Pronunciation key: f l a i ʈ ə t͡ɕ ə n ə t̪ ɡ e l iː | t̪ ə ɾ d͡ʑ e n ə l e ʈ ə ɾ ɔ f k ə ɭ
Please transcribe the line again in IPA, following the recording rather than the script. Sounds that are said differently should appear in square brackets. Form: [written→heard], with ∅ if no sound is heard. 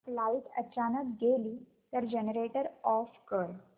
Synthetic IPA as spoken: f l a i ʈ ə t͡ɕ [ə→a] n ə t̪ ɡ e l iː | t̪ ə ɾ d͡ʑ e n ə [l→ɾ] e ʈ ə ɾ ɔ f k ə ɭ